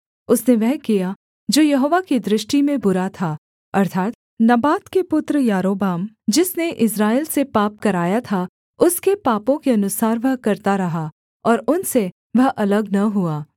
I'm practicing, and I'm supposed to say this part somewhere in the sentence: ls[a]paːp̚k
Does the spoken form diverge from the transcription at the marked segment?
yes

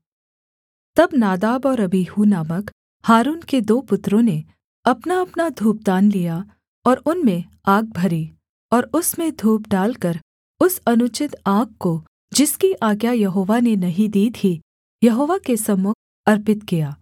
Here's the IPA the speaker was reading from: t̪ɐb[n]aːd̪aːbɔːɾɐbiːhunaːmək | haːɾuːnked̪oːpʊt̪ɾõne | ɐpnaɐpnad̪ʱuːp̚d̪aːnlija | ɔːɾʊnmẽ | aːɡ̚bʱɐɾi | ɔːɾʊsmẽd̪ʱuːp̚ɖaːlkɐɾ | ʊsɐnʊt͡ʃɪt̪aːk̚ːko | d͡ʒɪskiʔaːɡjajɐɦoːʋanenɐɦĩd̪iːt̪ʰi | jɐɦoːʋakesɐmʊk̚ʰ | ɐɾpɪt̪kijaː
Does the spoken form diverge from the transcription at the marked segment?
no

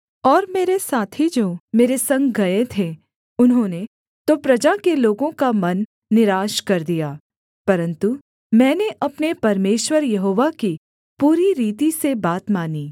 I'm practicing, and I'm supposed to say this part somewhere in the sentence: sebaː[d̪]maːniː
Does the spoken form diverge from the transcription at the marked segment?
yes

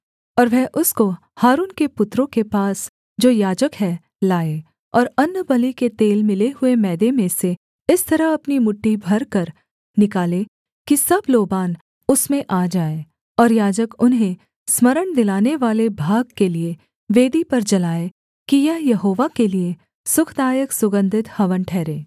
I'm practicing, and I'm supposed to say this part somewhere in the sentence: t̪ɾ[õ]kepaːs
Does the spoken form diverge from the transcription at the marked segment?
no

